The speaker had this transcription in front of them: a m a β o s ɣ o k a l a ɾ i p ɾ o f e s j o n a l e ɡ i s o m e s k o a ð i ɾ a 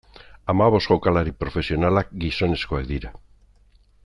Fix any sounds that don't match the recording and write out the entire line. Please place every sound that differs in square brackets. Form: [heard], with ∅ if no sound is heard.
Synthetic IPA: a m a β o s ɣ o k a l a ɾ i p ɾ o f e s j o n a l [a] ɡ i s o [n] e s k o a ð i ɾ a